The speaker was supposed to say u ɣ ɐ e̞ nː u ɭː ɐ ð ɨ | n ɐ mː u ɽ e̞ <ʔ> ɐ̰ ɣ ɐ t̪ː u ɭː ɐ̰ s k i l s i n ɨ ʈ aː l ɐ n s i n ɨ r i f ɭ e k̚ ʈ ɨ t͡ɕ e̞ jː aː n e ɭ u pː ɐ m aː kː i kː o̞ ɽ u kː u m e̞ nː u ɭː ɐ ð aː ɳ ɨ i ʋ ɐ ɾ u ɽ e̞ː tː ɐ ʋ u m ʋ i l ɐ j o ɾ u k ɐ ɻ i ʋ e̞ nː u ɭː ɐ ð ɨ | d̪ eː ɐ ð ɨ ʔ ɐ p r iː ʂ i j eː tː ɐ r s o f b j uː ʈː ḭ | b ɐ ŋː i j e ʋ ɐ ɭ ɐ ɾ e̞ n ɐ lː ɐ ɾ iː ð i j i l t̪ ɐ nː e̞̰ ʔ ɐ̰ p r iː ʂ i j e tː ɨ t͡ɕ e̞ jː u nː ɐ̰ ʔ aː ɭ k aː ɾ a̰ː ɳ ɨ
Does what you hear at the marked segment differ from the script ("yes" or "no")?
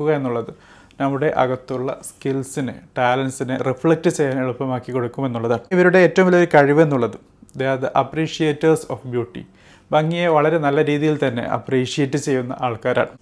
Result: no